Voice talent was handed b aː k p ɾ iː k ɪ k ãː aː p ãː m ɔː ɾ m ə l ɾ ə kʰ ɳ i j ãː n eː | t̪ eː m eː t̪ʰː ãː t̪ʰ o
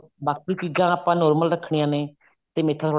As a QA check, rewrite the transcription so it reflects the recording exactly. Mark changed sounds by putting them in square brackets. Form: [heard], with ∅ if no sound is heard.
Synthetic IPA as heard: b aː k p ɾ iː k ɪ [ɡ] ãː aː p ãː [n] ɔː ɾ m ə l ɾ ə kʰ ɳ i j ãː n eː | t̪ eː m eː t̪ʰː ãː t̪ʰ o